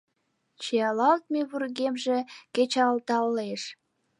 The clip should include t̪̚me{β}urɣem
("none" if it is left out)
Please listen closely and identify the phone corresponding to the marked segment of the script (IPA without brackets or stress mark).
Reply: β